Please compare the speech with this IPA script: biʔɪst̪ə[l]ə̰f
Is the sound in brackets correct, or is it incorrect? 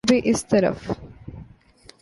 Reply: incorrect